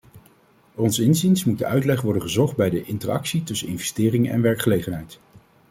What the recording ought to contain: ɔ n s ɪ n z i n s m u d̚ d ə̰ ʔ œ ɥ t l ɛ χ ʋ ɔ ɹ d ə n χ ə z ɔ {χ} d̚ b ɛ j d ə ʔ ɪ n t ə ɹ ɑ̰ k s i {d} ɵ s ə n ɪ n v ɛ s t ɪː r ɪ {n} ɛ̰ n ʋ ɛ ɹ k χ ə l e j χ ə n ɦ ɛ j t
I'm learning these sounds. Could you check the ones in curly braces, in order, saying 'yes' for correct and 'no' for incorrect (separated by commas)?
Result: yes, no, no